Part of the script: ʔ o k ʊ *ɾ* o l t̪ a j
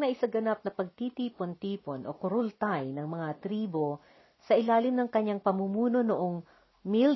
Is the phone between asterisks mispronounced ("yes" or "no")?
no